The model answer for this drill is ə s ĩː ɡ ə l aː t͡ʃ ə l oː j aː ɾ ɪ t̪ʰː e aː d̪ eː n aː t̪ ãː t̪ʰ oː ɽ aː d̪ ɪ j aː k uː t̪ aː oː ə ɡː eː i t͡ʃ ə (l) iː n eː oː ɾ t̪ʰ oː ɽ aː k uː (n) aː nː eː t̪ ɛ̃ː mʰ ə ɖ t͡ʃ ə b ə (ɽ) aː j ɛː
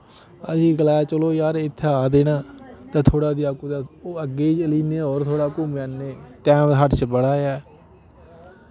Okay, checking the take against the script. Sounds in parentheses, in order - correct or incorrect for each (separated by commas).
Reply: correct, incorrect, correct